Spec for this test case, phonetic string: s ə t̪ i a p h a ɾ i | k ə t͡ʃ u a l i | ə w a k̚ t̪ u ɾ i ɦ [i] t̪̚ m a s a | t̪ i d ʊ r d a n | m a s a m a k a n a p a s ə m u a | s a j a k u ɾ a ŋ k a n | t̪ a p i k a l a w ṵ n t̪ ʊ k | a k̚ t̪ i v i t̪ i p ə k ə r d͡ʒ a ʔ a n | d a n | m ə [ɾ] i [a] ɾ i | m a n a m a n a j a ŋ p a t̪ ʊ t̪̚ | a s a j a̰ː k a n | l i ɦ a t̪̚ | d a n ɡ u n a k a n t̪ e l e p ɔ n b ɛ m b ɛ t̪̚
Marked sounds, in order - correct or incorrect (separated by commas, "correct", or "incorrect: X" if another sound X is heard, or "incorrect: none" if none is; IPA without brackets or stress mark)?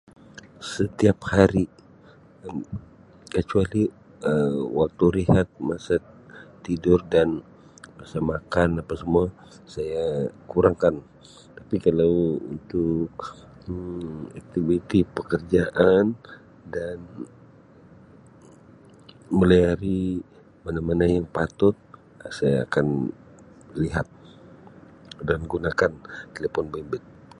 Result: incorrect: a, incorrect: l, correct